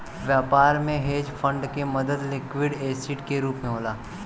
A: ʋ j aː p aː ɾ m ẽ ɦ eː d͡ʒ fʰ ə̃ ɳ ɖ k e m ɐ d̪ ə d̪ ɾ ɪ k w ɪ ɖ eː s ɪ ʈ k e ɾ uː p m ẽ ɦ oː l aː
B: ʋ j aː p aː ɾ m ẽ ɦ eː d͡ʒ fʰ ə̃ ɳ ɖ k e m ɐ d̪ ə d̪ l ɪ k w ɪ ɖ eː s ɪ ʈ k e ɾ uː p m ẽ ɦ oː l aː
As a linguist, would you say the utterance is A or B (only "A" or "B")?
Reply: B